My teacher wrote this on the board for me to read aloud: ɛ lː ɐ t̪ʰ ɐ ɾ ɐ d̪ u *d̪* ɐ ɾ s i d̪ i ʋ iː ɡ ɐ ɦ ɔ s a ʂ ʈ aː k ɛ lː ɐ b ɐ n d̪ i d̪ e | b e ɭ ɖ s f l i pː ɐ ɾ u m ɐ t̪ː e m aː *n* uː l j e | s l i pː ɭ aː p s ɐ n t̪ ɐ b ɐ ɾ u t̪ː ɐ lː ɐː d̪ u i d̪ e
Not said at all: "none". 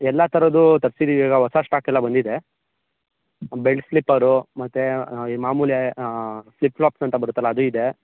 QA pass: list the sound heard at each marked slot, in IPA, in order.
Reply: t̪, m

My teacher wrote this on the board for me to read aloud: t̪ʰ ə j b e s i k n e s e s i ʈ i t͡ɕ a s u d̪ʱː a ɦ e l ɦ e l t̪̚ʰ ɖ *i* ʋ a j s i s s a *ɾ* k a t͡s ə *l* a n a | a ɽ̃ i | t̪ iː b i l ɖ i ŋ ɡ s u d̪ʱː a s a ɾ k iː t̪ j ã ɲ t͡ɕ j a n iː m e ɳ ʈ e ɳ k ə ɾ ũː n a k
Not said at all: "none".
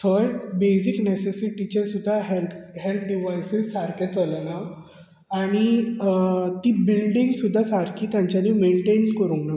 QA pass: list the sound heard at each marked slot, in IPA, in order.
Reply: i, ɾ, l

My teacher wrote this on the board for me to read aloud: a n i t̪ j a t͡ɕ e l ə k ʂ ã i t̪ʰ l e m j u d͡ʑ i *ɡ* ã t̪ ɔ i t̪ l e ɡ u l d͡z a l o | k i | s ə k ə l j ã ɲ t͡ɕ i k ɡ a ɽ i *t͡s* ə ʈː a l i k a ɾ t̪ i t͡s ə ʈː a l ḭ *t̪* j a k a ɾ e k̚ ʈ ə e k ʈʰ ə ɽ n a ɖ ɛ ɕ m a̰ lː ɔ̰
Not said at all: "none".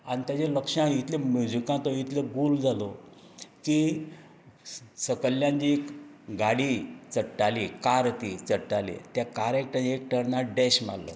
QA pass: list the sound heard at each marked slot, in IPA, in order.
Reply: k, t͡s, t̪

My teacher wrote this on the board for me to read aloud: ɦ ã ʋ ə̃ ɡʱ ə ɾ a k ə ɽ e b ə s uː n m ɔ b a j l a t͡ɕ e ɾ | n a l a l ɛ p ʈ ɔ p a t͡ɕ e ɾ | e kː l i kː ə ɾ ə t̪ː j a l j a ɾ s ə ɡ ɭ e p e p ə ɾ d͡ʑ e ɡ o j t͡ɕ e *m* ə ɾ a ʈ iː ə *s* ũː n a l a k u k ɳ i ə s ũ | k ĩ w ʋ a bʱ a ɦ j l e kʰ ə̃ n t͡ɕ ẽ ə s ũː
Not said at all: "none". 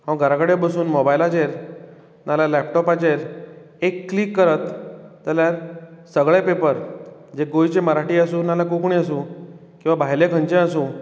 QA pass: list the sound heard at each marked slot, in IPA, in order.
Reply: m, s

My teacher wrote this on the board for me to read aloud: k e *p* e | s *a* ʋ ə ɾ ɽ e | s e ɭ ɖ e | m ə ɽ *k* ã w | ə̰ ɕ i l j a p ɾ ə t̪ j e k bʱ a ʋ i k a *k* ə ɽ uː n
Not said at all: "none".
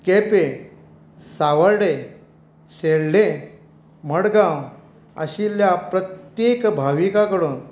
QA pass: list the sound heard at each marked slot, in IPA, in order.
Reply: p, a, ɡ, k

